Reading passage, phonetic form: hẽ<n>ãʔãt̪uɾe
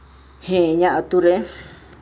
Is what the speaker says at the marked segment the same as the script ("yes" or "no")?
no